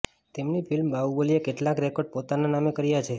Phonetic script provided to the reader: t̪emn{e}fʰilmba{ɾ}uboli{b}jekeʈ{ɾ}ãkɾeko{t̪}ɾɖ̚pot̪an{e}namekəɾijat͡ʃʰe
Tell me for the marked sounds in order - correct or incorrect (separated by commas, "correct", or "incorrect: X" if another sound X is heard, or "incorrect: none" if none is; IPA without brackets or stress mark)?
incorrect: i, incorrect: none, incorrect: none, incorrect: l, incorrect: none, incorrect: a